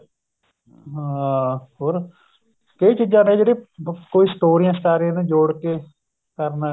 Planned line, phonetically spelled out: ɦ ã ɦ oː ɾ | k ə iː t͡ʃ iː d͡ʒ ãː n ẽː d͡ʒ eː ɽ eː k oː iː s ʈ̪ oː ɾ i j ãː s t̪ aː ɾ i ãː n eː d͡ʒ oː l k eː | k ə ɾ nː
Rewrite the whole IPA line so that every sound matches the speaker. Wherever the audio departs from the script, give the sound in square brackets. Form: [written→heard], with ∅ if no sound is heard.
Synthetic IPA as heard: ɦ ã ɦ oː ɾ | k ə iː t͡ʃ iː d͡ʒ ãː n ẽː d͡ʒ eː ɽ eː k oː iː s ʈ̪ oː ɾ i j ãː s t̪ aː ɾ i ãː n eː d͡ʒ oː [l→ɽ] k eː | k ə ɾ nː